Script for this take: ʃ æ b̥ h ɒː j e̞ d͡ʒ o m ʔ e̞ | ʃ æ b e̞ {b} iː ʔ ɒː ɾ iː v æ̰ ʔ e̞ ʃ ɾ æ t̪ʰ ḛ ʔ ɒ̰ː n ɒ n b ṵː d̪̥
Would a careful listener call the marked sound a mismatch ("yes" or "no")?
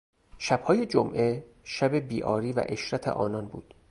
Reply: no